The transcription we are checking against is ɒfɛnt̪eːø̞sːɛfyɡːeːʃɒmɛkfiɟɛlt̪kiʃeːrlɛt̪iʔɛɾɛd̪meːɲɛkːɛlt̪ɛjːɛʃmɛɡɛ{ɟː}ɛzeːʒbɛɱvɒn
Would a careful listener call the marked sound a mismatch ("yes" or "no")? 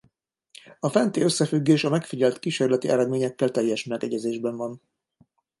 yes